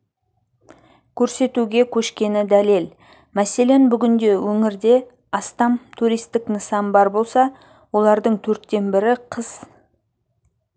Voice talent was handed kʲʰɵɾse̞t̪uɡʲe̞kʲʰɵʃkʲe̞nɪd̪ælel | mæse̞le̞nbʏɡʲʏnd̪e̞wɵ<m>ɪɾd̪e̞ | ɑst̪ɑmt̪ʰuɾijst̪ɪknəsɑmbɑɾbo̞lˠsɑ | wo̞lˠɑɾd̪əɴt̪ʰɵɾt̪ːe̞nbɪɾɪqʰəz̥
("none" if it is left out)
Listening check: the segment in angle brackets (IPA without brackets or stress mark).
ŋ